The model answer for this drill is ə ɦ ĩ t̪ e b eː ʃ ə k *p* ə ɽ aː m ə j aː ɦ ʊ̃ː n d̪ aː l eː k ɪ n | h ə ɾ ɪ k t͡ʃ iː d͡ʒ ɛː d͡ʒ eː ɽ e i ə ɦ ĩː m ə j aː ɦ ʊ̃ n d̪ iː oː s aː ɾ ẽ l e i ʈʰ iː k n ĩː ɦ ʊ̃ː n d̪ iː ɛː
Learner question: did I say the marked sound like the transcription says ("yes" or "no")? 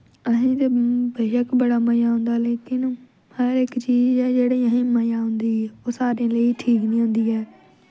no